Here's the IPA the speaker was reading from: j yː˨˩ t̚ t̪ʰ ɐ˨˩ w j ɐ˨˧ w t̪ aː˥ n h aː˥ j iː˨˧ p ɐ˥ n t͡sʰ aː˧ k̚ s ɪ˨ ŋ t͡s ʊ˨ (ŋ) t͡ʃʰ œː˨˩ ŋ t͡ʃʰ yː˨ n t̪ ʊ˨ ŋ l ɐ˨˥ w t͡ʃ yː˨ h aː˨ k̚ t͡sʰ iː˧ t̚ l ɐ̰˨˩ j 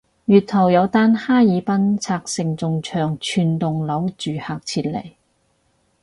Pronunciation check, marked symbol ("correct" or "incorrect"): correct